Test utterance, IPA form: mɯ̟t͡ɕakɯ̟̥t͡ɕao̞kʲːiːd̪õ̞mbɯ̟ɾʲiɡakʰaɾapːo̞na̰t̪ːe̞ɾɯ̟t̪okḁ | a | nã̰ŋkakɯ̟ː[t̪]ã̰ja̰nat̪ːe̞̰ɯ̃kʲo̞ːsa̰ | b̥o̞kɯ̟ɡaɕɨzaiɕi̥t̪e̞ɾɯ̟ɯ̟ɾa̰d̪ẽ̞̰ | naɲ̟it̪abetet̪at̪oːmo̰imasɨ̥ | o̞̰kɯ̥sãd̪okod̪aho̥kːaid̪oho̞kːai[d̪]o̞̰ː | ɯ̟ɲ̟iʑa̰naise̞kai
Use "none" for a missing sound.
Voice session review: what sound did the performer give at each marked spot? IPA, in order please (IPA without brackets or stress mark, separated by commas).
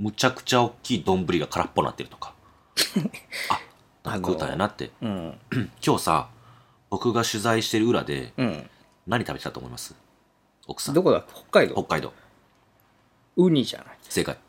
t̪, d̪